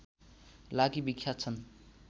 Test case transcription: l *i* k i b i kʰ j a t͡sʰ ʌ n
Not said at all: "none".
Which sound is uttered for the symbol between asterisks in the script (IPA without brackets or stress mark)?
a